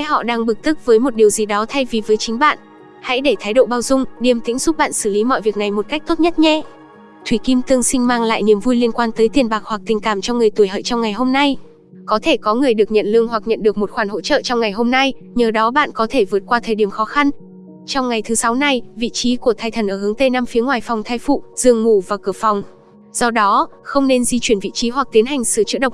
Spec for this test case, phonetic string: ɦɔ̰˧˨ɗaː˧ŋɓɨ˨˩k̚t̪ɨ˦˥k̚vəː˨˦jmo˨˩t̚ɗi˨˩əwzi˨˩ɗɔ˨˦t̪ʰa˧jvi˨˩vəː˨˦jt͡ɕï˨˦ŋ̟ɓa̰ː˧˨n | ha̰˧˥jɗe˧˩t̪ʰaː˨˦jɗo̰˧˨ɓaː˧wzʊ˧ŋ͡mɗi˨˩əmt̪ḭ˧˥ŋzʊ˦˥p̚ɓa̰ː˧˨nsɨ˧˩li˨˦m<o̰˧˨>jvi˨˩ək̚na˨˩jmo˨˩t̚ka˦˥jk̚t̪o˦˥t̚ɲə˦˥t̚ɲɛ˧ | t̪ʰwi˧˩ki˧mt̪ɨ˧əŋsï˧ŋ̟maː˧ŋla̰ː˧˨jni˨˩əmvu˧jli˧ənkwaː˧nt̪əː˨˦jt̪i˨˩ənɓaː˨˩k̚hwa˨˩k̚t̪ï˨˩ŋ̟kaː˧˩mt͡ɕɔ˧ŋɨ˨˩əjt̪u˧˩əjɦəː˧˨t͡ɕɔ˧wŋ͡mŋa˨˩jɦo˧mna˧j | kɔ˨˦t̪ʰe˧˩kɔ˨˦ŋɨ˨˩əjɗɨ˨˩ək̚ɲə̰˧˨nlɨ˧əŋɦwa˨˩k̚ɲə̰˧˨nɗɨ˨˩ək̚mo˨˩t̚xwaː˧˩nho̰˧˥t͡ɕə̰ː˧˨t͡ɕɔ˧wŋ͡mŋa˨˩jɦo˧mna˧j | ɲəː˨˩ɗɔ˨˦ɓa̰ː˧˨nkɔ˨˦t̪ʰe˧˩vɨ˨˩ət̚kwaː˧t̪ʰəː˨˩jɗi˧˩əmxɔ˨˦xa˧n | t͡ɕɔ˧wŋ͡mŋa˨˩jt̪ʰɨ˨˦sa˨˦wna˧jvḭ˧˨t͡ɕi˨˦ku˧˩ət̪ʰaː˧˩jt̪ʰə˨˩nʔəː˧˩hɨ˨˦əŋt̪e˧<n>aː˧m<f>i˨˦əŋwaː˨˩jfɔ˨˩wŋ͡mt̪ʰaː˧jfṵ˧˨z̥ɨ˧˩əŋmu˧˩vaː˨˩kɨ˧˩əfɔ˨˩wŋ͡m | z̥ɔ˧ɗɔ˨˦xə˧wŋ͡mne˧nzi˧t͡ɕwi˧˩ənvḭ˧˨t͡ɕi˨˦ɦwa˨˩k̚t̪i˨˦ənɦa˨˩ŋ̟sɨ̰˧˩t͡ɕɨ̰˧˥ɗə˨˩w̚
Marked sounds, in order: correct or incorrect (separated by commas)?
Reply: incorrect, correct, correct